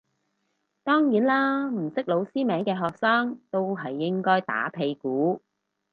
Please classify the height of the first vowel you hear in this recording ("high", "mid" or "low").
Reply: mid